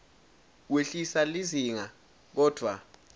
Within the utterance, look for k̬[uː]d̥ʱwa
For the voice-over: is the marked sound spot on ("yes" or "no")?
no